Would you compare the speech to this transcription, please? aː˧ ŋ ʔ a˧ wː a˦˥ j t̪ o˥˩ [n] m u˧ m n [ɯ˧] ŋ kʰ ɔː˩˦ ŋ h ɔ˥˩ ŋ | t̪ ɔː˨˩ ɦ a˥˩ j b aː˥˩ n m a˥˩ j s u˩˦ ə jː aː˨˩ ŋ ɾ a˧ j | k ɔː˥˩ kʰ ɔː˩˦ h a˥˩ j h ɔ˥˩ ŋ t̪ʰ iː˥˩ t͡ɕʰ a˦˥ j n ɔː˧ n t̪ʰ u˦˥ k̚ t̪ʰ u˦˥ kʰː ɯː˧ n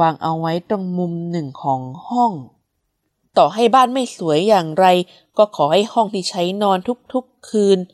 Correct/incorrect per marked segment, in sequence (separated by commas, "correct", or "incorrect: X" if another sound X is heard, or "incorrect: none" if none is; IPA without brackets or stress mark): incorrect: ŋ, incorrect: ɯ˨˩